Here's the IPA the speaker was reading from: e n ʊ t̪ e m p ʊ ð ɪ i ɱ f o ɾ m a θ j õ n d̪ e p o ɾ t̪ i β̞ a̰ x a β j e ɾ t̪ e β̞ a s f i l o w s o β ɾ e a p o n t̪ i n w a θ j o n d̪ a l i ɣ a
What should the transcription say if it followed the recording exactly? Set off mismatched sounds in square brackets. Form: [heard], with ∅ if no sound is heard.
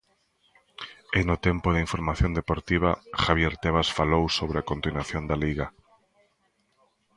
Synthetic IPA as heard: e n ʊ t̪ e m p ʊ ð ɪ i ɱ f o ɾ m a θ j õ n d̪ e p o ɾ t̪ i β̞ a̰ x a β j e ɾ t̪ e β̞ a s f [a] l o w s o β ɾ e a [k] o n t̪ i n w a θ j o n d̪ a l i ɣ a